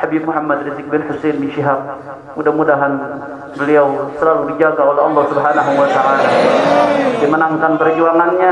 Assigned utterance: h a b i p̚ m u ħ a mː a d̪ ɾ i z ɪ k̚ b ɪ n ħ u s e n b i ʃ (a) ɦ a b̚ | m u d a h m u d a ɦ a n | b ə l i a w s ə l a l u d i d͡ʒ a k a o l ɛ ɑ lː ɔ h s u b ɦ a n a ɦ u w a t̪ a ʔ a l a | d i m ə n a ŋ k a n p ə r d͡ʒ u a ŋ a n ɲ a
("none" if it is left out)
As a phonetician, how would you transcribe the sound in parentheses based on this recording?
i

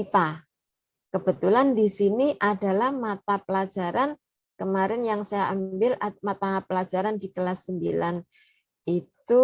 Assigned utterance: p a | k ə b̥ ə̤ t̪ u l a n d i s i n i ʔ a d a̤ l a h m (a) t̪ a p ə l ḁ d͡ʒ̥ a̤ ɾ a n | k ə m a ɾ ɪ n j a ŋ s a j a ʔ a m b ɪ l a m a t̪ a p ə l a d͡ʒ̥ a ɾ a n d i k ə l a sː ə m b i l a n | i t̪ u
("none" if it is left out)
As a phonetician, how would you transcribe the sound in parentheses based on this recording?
a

